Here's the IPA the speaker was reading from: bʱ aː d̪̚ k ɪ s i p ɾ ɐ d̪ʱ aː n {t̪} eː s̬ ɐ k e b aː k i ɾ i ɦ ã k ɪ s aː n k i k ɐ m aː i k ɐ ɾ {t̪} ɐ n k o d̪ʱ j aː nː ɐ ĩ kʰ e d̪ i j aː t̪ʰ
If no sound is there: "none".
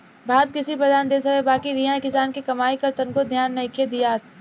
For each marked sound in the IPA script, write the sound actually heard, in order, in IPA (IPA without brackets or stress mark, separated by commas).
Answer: d̪, t̪